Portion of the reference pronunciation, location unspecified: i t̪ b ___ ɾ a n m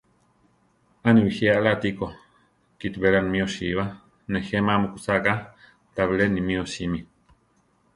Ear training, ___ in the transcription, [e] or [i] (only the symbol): e